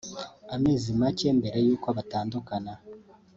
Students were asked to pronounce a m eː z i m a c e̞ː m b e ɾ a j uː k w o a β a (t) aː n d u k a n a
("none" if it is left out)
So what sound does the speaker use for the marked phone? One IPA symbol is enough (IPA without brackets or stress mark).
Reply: t